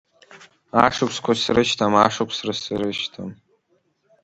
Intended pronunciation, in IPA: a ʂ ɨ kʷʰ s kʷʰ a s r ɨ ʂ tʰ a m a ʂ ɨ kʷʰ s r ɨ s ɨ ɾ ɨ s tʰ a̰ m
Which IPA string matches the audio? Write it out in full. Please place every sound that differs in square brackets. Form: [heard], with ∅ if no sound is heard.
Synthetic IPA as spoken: a ʂ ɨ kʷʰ s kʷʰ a s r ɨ [ʃ] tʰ a m a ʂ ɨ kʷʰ s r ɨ s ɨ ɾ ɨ [ʃ] tʰ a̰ m